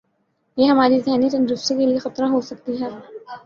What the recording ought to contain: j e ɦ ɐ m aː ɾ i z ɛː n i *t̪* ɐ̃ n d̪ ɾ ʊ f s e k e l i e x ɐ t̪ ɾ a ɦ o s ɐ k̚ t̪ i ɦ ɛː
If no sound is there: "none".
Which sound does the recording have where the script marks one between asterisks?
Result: t̪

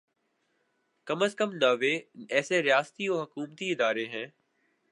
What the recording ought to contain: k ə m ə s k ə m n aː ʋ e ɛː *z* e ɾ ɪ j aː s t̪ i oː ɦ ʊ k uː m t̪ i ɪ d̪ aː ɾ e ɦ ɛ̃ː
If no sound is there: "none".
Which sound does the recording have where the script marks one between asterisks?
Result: s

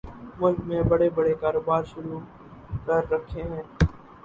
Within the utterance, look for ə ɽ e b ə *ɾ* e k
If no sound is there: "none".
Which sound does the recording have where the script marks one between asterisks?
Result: ɽ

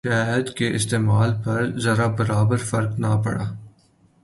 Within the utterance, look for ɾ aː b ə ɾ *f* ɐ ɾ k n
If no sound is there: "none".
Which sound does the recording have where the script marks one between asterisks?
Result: f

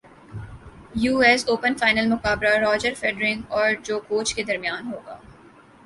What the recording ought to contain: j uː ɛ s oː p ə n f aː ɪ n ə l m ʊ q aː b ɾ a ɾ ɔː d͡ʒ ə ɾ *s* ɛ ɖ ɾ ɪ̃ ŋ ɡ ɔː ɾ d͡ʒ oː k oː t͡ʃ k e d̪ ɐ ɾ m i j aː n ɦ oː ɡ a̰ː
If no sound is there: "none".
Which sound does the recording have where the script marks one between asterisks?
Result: f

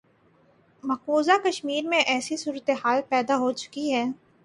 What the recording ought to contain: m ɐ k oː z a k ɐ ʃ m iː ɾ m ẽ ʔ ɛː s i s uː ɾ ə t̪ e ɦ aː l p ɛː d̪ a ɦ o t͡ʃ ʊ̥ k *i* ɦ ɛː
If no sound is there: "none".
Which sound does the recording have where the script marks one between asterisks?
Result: i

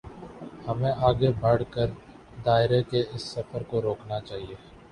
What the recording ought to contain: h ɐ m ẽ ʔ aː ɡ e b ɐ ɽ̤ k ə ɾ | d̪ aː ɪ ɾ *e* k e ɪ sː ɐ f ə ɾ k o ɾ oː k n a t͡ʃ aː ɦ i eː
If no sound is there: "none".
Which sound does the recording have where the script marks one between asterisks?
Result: e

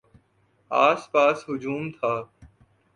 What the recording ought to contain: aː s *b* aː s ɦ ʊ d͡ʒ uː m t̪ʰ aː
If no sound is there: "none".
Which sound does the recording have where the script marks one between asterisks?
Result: p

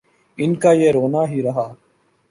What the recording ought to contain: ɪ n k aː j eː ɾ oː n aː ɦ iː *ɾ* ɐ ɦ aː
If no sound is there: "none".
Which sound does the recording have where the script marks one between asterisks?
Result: ɾ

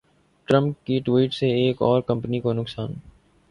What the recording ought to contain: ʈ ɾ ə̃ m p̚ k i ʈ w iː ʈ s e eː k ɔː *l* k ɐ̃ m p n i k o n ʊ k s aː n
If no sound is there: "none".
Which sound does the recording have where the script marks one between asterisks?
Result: ɾ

